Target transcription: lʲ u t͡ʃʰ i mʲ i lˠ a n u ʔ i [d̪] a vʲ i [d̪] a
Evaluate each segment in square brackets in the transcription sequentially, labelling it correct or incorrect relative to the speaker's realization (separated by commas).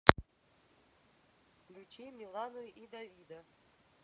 correct, correct